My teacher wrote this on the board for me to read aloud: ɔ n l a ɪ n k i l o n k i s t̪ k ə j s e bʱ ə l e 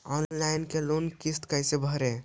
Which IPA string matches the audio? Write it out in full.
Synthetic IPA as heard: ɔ n l a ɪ n k e l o n k i s t̪ k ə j s e bʱ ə ɾ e